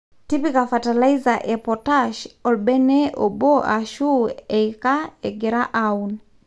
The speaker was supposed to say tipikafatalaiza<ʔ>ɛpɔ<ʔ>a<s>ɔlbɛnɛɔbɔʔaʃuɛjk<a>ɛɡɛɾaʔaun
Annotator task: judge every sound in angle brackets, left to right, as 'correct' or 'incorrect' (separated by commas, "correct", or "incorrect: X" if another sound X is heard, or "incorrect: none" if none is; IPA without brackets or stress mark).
correct, incorrect: t, incorrect: ʃ, correct